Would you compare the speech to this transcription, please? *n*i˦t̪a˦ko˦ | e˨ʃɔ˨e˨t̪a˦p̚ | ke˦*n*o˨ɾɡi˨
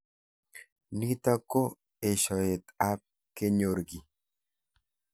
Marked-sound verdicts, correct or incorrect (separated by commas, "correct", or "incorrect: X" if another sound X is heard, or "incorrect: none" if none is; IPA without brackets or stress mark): correct, incorrect: ɲ